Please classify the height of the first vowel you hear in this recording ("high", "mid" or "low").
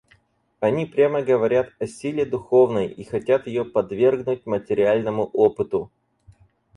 low